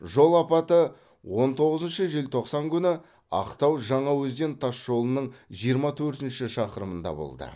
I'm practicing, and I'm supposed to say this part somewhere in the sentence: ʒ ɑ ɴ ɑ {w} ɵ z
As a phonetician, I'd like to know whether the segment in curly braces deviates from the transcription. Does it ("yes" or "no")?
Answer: no